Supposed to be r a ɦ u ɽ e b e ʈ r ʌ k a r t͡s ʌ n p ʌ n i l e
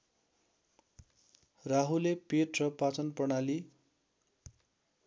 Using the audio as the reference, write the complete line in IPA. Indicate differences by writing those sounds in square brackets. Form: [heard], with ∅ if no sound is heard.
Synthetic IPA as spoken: r a ɦ u [l] e [p] e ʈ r ʌ [p] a [∅] t͡s ʌ n p ʌ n [a] l [i]

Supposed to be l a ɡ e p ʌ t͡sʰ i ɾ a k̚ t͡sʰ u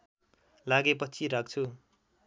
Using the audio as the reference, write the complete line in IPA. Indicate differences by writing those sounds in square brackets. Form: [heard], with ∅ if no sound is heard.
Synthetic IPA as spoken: l a ɡ e p ʌ t͡sʰ i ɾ a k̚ t͡sʰ u

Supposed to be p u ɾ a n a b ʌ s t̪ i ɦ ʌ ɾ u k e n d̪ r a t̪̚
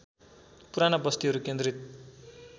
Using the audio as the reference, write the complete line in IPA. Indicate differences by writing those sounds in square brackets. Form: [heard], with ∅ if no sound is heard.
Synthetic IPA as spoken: p u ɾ a n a b ʌ s t̪ i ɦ ʌ ɾ u k e n d̪ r [i] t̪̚

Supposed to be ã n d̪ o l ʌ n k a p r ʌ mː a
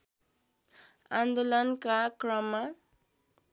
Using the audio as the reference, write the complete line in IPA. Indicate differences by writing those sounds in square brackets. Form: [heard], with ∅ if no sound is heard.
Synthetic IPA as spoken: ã n d̪ o l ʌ n k a [k] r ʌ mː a

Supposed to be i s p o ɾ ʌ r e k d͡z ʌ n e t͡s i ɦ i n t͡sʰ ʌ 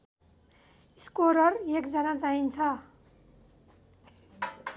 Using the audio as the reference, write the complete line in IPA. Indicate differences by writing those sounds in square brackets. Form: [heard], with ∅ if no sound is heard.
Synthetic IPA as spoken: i s [k] o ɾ ʌ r e k d͡z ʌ n [a] t͡s [a] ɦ i n t͡sʰ ʌ

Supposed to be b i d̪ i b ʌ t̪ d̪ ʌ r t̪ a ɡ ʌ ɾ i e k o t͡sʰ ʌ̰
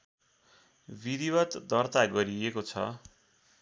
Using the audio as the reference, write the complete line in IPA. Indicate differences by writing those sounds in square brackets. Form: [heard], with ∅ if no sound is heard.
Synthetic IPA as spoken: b i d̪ i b ʌ t̪ d̪ ʌ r t̪ a ɡ ʌ ɾ i e k o t͡sʰ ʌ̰

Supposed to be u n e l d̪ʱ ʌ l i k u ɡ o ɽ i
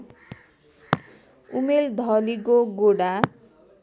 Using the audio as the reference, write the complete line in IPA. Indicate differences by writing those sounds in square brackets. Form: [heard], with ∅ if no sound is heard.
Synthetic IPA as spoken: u [m] e l d̪ʱ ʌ l i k [o] ɡ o ɽ [a]

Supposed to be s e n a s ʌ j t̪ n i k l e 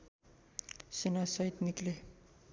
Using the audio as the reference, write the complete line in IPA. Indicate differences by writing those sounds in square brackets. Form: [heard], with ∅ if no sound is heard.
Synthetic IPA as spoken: s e n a s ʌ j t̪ n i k l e

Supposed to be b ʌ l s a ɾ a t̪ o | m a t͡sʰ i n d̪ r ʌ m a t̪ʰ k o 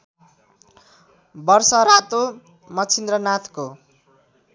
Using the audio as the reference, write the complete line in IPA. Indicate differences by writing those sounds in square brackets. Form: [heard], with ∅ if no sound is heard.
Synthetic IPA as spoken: b ʌ [r] s [ʌ] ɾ a t̪ o | m [ʌ] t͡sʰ i n d̪ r ʌ [n] a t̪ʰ k o

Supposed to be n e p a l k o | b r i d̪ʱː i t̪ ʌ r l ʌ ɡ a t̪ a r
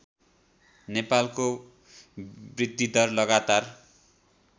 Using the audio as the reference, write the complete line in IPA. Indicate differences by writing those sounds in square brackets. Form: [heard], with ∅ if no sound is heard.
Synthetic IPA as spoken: n e p a l k o | b r i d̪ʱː i [d̪] ʌ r l ʌ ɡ a t̪ a r

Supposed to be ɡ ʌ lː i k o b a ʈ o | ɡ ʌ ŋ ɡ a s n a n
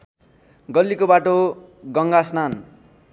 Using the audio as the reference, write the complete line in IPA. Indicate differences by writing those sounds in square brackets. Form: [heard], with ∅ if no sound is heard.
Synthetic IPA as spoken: ɡ ʌ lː i k o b a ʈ o | ɡ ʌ ŋ ɡ a s n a n

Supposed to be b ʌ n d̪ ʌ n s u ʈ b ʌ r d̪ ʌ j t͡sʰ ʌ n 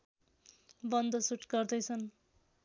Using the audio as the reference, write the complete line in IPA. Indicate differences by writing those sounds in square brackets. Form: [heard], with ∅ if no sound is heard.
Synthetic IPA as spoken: b ʌ n d̪ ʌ [∅] s u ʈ [ɡ] ʌ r d̪ ʌ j t͡sʰ ʌ n

